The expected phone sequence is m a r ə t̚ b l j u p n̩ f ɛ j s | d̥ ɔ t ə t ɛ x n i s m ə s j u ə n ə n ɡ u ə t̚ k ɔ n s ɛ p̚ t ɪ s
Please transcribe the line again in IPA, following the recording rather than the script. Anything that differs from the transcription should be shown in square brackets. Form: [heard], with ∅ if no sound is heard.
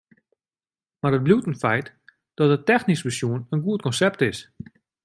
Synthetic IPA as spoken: m a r ə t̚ b l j u [t] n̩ f ɛ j [t] | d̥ ɔ t ə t ɛ x n i s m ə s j u ə n ə n ɡ u ə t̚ k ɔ n s ɛ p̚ t ɪ s